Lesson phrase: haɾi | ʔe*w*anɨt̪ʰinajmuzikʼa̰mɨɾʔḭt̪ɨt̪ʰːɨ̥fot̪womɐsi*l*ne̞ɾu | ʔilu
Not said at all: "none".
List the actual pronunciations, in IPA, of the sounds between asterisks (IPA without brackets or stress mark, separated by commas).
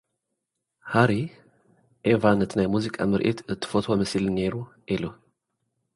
v, l